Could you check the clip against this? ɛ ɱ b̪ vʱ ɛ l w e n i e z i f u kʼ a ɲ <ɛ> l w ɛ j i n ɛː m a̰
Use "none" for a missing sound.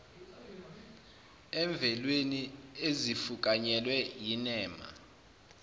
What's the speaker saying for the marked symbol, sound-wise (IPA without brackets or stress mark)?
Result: ɛ